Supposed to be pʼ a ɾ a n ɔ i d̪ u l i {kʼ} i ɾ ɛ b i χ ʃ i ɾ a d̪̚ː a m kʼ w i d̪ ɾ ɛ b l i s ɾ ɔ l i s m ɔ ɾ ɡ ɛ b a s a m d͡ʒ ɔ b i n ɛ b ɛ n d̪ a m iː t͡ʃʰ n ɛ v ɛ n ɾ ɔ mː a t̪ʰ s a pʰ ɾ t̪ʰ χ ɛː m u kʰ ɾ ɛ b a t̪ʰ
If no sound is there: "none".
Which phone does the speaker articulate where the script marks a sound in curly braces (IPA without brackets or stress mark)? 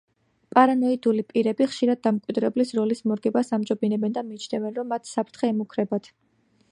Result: pʼ